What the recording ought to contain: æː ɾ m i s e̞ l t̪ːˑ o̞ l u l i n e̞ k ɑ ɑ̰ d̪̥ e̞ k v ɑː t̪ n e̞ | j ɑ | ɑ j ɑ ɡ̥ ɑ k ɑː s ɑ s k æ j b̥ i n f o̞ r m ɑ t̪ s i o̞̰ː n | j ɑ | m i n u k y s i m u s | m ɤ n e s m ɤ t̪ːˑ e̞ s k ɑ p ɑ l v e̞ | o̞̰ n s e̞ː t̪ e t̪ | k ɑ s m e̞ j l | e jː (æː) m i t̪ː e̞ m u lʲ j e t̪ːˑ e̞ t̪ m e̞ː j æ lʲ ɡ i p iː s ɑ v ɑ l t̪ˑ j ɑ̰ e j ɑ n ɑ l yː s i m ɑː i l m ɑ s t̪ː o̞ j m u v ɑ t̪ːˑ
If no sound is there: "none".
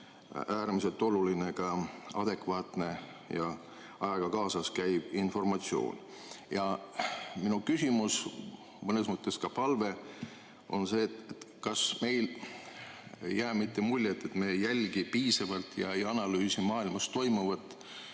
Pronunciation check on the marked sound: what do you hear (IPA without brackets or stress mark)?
æː